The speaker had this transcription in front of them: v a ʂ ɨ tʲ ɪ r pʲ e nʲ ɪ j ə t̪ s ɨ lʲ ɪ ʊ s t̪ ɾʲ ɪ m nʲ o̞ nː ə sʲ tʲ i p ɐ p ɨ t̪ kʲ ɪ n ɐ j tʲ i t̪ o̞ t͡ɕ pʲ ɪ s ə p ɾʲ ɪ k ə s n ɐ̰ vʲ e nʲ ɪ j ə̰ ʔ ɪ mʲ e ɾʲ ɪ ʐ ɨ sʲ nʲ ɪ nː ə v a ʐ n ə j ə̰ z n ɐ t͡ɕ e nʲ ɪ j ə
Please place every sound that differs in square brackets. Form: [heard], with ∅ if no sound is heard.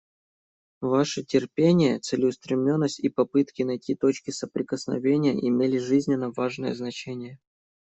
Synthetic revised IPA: v a ʂ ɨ tʲ ɪ r pʲ e nʲ ɪ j ə t̪ s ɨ lʲ ɪ ʊ s t̪ ɾʲ ɪ m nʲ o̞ nː ə sʲ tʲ i p ɐ p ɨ t̪ kʲ ɪ n ɐ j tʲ i t̪ o̞ t͡ɕ [kʲ] ɪ s ə p ɾʲ ɪ k ə s n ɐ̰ vʲ e nʲ ɪ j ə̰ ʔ ɪ mʲ e [lʲ] ɪ ʐ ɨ [zʲ] nʲ ɪ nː ə v a ʐ n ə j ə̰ z n ɐ t͡ɕ e nʲ ɪ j ə